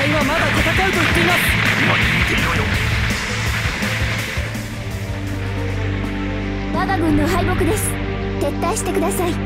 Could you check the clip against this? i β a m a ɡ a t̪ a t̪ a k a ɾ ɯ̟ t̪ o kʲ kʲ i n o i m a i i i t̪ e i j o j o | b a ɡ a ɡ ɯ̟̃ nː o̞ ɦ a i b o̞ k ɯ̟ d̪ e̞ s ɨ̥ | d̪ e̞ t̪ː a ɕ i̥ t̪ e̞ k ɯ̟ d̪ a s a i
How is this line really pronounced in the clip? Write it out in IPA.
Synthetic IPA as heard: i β a m a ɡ a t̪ a t̪ a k a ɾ ɯ̟ t̪ o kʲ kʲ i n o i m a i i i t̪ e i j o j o | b a ɡ a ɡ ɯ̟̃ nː o̞ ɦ a i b o̞ k ɯ̟ d̪ e̞ s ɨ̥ | t̪ e̞ t̪ː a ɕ i̥ t̪ e̞ k ɯ̟ d̪ a s a i